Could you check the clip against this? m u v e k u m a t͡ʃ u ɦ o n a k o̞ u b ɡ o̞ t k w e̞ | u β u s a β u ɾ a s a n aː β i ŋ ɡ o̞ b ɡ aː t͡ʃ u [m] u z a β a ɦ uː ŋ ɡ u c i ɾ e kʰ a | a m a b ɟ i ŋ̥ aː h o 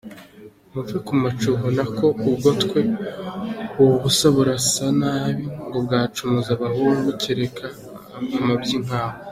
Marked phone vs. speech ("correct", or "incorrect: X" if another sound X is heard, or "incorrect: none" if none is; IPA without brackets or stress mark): correct